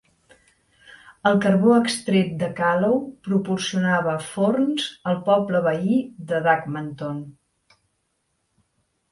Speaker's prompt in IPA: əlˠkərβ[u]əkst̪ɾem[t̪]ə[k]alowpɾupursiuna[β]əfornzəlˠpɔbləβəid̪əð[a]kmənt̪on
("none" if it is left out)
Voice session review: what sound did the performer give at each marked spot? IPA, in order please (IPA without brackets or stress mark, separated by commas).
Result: o, d̪, k, β, a